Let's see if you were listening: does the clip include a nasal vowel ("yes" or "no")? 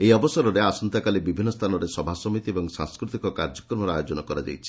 no